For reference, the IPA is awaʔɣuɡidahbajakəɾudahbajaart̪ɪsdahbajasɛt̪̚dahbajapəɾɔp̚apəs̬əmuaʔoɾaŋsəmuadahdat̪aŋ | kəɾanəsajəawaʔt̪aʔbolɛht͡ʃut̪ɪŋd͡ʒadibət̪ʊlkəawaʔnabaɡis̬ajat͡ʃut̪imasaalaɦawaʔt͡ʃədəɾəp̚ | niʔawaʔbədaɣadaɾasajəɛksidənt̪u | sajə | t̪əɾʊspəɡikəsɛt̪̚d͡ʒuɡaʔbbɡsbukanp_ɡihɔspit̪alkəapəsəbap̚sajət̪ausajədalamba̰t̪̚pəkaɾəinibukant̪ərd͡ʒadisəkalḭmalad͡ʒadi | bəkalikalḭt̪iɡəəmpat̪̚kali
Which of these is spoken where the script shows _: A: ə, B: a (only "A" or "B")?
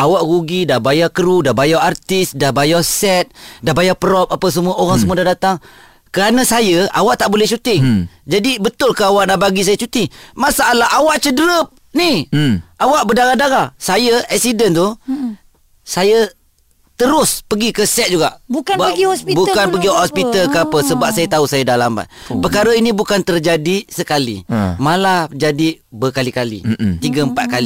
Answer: A